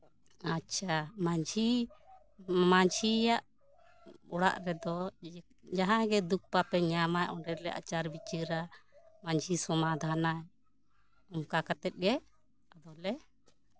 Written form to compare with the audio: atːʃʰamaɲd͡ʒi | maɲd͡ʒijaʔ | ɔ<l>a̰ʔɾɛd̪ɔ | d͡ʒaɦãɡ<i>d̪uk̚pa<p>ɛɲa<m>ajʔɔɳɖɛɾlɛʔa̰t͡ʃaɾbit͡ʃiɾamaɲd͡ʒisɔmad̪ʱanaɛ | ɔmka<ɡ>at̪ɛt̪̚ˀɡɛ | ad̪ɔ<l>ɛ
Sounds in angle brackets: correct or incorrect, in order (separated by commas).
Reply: incorrect, incorrect, correct, correct, incorrect, correct